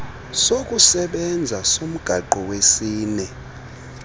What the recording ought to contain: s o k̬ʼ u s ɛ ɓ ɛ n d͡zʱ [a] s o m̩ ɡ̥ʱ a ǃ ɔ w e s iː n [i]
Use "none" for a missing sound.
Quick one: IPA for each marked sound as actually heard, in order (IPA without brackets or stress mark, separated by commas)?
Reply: a, ɛ